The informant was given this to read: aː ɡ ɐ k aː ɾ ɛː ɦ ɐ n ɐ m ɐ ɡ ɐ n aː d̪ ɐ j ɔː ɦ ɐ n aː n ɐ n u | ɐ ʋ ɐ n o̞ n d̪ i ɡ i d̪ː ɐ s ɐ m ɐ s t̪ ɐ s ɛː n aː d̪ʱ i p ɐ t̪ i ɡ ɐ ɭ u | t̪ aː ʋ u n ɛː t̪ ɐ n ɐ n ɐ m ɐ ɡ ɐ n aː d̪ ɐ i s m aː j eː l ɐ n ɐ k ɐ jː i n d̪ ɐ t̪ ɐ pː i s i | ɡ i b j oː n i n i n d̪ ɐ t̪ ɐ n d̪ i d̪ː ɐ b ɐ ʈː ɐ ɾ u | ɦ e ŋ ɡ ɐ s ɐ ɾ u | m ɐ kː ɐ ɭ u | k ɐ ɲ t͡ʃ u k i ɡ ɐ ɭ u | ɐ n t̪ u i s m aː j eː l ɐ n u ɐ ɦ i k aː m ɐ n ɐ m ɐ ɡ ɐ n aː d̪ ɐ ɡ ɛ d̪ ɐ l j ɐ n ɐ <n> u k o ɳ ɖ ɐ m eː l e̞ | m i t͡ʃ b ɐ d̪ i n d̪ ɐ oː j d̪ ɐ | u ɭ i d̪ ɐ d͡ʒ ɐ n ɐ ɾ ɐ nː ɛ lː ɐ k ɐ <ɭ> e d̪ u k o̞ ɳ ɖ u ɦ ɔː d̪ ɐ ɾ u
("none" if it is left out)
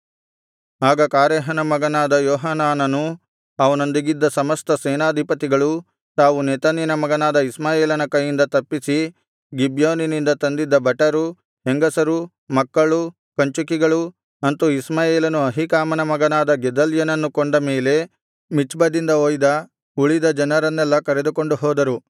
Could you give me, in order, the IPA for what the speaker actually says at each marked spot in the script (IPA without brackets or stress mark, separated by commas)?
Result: nː, ɾ